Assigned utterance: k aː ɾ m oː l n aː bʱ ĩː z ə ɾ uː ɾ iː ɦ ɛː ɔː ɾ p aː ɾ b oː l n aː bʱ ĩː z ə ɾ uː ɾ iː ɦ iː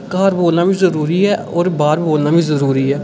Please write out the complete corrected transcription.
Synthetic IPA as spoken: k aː ɾ b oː l n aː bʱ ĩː z ə ɾ uː ɾ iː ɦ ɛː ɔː ɾ b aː ɾ b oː l n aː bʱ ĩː z ə ɾ uː ɾ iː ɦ ɛː

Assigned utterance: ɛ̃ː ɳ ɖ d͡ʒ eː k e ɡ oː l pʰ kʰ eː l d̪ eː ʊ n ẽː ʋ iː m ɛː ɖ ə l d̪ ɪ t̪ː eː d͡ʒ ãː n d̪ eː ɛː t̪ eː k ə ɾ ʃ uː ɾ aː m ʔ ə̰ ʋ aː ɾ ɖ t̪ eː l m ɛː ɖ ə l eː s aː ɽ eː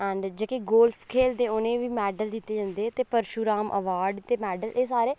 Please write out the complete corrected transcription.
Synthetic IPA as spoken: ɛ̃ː ɳ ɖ d͡ʒ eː k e ɡ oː l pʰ kʰ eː l d̪ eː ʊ n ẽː ʋ iː m ɛː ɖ ə l d̪ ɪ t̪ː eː d͡ʒ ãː n d̪ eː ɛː t̪ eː p ə ɾ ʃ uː ɾ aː m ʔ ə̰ ʋ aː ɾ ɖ t̪ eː m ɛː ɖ ə l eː s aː ɾ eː

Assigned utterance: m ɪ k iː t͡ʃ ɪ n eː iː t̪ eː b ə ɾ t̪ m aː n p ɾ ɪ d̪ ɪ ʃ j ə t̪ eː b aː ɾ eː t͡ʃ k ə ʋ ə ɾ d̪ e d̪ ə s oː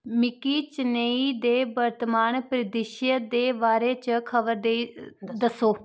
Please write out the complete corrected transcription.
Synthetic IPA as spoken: m ɪ k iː t͡ʃ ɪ n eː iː d̪ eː b ə ɾ t̪ m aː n p ɾ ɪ d̪ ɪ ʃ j ə d̪ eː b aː ɾ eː t͡ʃ kʰ ə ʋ ə ɾ d̪ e d̪ ə s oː

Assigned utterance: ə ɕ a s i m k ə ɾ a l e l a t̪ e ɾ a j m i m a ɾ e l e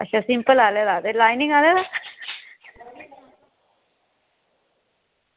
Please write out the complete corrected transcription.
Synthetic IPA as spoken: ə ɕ a s i m p ə l a l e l a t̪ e l a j n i ŋ a l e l a

